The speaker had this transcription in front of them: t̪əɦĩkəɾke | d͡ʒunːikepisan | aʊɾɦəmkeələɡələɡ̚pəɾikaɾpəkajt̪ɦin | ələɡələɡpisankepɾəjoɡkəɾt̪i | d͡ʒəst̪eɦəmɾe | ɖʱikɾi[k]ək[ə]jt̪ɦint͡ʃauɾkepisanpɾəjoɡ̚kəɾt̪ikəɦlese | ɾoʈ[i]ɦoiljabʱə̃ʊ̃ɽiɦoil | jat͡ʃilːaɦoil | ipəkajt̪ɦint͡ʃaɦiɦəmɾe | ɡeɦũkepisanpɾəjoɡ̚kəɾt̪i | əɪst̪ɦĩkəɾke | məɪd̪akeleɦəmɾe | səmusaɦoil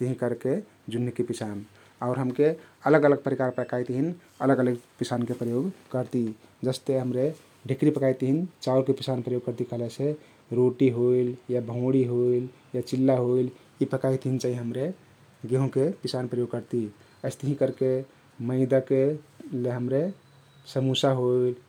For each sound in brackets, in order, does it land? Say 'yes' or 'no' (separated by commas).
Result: no, no, yes